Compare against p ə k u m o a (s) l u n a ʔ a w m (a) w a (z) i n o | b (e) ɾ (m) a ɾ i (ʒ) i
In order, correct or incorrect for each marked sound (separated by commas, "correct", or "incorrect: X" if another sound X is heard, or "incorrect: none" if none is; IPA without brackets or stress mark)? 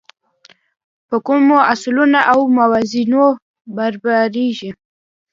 correct, correct, correct, incorrect: a, incorrect: b, correct